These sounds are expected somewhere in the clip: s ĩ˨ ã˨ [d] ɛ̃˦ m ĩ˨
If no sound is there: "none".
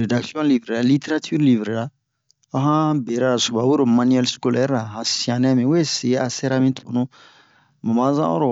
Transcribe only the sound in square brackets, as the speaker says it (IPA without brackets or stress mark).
n